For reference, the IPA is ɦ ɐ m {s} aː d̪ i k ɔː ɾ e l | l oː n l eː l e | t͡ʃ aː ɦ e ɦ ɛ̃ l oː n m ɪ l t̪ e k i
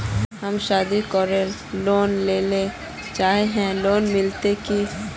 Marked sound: incorrect: ʃ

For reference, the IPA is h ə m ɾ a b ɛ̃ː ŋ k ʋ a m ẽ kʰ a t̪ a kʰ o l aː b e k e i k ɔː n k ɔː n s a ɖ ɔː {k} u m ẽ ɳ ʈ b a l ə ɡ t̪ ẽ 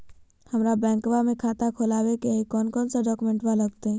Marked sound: correct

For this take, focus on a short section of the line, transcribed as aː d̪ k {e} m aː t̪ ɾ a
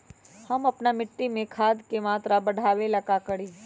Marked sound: correct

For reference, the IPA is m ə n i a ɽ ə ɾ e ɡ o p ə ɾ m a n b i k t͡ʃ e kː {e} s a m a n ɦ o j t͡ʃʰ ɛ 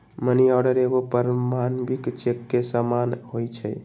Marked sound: correct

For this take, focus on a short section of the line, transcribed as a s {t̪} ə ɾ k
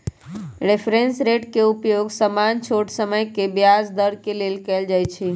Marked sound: incorrect: d̪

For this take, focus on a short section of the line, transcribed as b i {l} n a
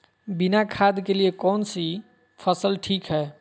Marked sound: incorrect: none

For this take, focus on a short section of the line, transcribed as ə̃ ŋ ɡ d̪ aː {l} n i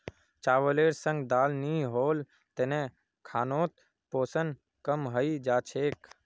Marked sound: correct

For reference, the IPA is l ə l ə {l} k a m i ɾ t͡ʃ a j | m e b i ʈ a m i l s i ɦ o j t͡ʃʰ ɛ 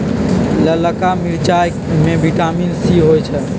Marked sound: incorrect: none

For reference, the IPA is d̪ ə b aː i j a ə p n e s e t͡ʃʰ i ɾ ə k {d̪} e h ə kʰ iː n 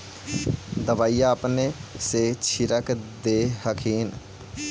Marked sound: correct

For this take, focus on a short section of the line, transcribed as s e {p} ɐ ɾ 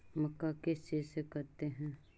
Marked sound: incorrect: k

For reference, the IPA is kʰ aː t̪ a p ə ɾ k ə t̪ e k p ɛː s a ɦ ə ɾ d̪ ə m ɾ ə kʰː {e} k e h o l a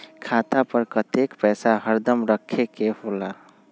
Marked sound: correct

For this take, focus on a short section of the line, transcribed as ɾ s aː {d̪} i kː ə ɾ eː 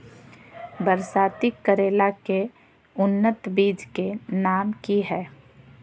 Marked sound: incorrect: t̪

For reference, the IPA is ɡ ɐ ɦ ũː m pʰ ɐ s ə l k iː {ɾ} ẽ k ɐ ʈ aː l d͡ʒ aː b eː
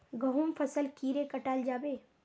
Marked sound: correct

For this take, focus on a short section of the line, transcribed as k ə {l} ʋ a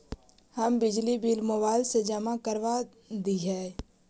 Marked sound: incorrect: ɾ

